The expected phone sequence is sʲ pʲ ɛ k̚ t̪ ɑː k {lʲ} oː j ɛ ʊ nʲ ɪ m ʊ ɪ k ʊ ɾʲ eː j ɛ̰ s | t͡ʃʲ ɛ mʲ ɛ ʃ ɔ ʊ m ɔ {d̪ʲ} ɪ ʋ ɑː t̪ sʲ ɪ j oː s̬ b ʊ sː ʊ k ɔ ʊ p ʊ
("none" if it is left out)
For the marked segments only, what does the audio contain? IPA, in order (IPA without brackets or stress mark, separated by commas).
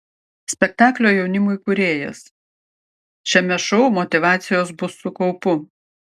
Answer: lʲ, t̪ʲ